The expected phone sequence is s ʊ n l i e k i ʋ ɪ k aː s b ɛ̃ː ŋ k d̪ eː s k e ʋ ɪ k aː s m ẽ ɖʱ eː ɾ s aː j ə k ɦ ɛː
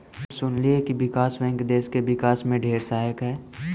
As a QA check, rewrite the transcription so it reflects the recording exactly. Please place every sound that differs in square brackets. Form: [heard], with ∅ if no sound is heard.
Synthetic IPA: s ʊ n l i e k i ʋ ɪ k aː s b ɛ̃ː ŋ k d̪ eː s k e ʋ ɪ k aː s m ẽ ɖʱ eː ɾ s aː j ə k ɦ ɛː